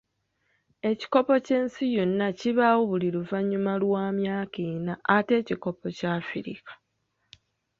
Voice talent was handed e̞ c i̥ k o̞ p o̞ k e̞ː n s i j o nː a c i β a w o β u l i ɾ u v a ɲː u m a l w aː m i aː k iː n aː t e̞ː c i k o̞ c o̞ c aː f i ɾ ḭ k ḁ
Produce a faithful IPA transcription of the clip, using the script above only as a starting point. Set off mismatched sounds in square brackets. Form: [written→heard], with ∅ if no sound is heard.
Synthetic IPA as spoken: e̞ c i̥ k o̞ p o̞ [k→c] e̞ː n s i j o nː a c i β a w o β u l i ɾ u v a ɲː u m a l w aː m [i→j] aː k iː n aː t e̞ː c i k o̞ [c→p] o̞ c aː f i ɾ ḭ k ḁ